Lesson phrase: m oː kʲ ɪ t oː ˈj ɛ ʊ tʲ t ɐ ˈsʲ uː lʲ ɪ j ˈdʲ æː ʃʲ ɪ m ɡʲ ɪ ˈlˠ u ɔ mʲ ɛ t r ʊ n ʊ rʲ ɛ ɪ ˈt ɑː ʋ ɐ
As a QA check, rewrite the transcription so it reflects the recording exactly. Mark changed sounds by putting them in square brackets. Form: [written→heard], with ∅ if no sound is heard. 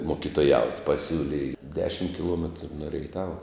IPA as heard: m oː kʲ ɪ t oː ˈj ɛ ʊ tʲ [t→p] ɐ ˈsʲ uː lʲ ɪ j ˈdʲ æː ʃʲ ɪ m [ɡʲ→kʲ] ɪ ˈlˠ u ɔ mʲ ɛ t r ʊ n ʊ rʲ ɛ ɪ ˈt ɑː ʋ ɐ